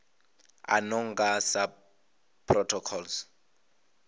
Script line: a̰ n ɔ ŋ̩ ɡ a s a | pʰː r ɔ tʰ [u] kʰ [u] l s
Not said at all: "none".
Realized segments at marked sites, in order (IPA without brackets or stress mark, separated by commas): ɔ, ɔ